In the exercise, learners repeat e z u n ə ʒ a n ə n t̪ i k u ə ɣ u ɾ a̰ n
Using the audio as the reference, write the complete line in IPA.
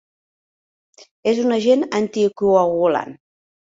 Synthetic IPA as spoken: e z u n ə ʒ e n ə n t̪ i k u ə ɣ u l a̰ n